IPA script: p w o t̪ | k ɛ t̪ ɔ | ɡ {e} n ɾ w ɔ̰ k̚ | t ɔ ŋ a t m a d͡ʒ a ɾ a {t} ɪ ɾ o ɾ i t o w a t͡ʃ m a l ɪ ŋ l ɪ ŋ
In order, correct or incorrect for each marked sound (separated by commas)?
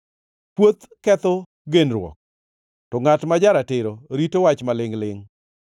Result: correct, correct